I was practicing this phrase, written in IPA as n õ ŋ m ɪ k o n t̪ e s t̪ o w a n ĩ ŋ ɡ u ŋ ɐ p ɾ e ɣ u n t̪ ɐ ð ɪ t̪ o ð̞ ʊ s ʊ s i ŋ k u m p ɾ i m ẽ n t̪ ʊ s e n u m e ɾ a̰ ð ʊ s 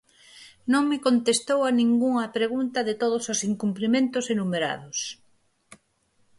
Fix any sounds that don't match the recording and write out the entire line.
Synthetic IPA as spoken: n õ ŋ m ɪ k o n t̪ e s t̪ o w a n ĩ ŋ ɡ u ŋ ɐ p ɾ e ɣ u n t̪ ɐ ð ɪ t̪ o ð̞ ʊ s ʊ s i ŋ k u m p l i m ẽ n t̪ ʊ s e n u m e ɾ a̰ ð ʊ s